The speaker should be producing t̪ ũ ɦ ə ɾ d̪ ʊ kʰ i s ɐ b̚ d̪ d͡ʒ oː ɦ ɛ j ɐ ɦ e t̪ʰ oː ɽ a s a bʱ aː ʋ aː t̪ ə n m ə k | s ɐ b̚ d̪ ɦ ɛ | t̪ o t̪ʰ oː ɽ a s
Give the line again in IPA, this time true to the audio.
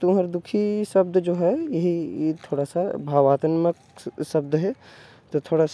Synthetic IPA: t̪ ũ ɦ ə ɾ d̪ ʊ kʰ i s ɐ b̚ d̪ d͡ʒ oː ɦ ɛ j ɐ ɦ i t̪ʰ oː ɽ a s a bʱ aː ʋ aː t̪ ə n m ə k | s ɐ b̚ d̪ ɦ ɛ | t̪ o t̪ʰ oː ɽ a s